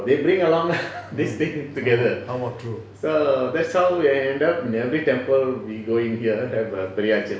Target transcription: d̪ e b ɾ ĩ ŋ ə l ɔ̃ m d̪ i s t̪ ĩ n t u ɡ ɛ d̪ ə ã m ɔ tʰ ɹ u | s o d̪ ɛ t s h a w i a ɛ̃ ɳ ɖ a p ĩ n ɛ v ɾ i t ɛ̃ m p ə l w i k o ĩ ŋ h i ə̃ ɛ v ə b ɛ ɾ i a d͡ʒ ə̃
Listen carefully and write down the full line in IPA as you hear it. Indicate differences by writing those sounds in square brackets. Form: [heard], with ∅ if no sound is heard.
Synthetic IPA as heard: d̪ e b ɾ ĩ ŋ ə l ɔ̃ [ŋ] d̪ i s t̪ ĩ [ŋ] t u ɡ ɛ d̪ ə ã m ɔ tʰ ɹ u | s o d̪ ɛ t s h a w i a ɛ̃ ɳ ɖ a p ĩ n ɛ v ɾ i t ɛ̃ m p ə l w i [ɡ] o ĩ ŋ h i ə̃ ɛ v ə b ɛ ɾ i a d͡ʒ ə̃